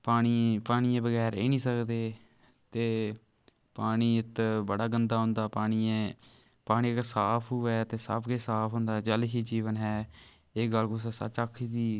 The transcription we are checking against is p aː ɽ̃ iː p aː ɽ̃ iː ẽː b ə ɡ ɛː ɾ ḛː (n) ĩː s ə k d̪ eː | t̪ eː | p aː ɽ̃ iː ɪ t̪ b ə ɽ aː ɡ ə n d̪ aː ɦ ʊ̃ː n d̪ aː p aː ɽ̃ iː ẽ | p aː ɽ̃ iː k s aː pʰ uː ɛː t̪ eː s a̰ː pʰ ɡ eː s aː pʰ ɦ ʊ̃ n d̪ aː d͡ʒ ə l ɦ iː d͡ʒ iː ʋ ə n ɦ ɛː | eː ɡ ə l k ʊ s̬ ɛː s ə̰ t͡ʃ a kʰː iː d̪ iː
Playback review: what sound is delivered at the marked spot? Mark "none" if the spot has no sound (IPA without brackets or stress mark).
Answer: n